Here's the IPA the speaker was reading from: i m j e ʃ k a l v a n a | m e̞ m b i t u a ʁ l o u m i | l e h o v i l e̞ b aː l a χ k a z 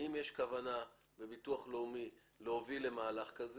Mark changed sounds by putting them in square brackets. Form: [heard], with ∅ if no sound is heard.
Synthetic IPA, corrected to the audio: i m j e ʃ k a [∅] v a n a | [b] e̞ [∅] b i t u a [χ] l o u m i | l e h o v i l e̞ [m] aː l a χ k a z